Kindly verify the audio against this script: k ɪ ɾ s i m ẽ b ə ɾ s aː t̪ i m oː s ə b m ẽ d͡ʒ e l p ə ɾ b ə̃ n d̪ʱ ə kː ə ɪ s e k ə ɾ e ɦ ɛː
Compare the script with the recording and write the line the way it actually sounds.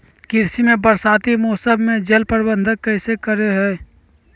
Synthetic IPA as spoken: k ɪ ɾ s i m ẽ b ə ɾ s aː t̪ i m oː s ə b m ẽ d͡ʒ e l p ə ɾ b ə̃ n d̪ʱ ə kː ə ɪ s e k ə ɾ e ɦ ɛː